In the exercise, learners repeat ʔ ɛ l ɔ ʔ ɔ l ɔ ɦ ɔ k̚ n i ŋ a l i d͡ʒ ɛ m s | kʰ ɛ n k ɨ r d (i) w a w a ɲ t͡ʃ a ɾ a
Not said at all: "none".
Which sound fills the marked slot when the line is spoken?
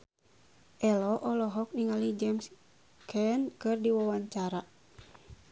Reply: i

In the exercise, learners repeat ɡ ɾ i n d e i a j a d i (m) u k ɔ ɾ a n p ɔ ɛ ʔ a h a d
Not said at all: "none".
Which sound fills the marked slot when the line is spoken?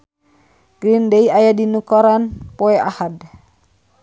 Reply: n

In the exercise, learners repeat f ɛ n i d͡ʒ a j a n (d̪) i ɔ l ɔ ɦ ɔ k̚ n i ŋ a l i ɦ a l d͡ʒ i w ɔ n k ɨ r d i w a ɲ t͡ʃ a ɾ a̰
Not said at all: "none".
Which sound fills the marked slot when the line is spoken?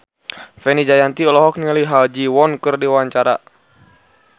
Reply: t̪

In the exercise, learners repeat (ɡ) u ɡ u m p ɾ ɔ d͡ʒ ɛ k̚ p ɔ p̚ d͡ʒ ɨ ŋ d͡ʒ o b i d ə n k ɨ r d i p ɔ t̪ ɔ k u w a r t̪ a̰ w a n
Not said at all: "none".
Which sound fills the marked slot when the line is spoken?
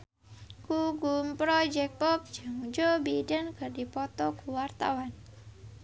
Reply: k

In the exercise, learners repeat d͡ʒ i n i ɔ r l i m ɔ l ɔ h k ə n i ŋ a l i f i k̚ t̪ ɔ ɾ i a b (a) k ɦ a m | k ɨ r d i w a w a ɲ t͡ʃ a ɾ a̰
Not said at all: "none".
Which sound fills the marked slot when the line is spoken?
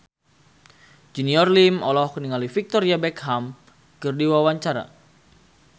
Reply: ɛ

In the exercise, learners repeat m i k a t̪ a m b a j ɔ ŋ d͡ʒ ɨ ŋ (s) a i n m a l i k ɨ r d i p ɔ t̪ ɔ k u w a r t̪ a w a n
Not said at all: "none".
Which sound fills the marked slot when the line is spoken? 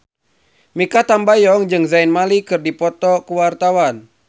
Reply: z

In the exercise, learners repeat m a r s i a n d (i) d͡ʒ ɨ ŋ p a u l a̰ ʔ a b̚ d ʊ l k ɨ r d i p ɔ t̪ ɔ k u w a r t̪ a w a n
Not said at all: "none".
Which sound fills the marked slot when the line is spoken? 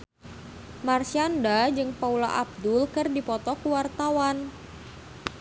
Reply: a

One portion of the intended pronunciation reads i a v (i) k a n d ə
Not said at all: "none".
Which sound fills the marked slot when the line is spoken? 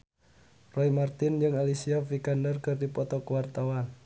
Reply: i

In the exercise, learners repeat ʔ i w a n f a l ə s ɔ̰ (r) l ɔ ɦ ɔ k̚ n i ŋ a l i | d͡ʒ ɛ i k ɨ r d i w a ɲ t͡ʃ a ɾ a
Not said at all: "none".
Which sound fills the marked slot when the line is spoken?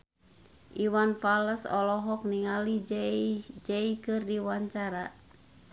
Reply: none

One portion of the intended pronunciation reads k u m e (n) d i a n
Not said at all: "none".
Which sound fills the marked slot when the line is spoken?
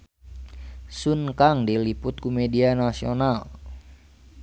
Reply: none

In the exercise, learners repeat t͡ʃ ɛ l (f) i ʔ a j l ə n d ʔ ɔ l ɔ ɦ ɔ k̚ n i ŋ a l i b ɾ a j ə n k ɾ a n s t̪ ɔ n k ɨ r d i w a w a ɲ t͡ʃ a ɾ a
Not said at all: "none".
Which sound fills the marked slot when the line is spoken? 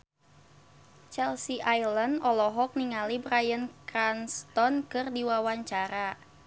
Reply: s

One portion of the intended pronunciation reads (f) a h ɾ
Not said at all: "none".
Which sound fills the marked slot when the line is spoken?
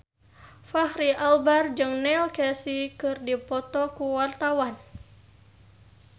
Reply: f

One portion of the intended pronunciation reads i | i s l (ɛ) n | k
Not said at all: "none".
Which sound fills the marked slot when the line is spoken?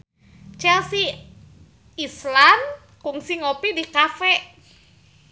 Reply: a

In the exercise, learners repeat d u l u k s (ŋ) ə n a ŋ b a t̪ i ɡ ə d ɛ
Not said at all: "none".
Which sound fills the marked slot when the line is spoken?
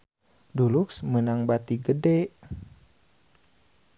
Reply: m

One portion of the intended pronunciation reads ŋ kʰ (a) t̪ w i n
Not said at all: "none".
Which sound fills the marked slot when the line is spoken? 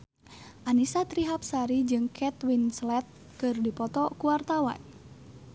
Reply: ɛ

